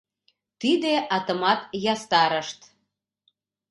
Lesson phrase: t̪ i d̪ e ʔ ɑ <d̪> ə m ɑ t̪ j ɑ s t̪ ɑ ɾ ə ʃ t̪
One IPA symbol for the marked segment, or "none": t̪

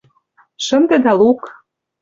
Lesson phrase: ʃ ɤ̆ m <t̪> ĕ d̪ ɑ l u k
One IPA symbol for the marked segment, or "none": d̪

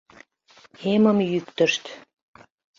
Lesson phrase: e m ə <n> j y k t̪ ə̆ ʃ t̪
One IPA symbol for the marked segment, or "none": m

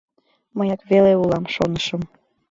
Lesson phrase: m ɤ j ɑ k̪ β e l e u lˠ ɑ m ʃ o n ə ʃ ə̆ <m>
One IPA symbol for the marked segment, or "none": m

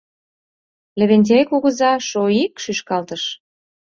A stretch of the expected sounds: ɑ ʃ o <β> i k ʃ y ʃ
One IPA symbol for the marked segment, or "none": none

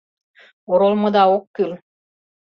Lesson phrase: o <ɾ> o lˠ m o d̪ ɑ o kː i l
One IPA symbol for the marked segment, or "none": ɾ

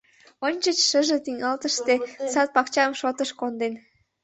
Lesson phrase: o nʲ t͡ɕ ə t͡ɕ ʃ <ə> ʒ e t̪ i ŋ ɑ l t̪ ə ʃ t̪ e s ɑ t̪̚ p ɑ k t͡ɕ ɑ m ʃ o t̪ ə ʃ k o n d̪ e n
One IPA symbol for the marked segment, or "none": ə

